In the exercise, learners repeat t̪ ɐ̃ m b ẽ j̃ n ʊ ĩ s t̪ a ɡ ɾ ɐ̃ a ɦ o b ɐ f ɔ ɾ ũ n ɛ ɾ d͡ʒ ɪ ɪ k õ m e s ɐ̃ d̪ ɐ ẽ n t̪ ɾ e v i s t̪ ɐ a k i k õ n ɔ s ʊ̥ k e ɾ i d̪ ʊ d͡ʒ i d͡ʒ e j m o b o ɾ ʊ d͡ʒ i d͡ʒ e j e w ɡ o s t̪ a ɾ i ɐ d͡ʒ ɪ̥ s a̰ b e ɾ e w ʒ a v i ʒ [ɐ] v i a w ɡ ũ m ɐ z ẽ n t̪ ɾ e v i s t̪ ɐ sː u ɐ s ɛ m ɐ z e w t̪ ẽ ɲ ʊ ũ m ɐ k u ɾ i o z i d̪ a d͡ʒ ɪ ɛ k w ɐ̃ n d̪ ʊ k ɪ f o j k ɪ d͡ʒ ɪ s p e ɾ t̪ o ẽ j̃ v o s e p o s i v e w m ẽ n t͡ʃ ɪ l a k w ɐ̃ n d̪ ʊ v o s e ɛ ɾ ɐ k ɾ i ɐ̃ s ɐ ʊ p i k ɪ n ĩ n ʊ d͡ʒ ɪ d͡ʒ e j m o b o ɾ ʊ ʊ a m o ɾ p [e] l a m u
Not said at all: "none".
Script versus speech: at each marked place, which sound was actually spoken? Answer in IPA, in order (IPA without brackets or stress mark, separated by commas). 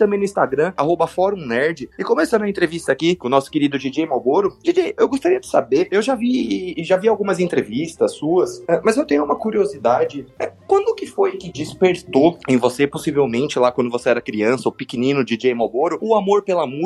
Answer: a, e